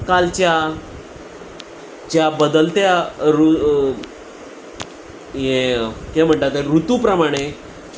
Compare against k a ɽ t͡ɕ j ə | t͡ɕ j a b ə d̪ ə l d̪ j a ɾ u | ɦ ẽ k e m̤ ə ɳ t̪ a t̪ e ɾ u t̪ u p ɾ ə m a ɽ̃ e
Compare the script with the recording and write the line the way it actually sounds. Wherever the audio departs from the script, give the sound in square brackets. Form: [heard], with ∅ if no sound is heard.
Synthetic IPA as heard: k a [l] t͡ɕ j [a] | t͡ɕ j a b ə d̪ ə l [t̪] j a ɾ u | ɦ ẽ k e m̤ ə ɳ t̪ a t̪ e ɾ u t̪ u p ɾ ə m a ɽ̃ e